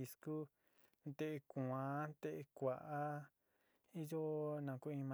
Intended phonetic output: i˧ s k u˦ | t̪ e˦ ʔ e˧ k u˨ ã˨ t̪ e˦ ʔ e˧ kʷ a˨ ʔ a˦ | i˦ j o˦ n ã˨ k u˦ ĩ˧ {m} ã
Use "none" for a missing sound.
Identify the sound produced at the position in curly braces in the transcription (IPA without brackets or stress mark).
m